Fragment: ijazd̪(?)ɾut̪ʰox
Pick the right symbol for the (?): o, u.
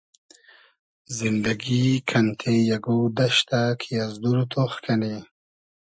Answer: u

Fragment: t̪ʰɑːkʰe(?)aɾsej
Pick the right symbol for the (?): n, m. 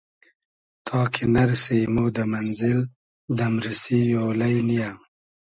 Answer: n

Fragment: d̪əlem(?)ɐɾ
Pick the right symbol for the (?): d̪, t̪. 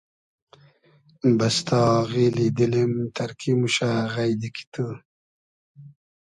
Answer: t̪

